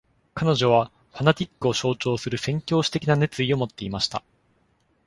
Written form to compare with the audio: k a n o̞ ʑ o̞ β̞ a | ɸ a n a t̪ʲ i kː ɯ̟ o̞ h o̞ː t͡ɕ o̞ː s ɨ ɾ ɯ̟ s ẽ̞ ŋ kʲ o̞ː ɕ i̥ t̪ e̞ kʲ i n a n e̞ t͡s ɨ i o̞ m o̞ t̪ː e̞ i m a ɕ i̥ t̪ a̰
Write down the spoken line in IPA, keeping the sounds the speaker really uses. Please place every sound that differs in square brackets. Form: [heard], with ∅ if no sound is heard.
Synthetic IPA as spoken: k a n o̞ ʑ o̞ β̞ a | ɸ a n a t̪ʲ i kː ɯ̟ o̞ [ɕ] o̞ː t͡ɕ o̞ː s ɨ ɾ ɯ̟ s ẽ̞ ŋ kʲ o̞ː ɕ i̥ t̪ e̞ kʲ i n a n e̞ t͡s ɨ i o̞ m o̞ t̪ː e̞ i m a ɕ i̥ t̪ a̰